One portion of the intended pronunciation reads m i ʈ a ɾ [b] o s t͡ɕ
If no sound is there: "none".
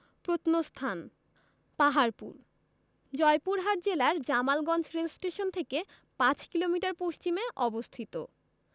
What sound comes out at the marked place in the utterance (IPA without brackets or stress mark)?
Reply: p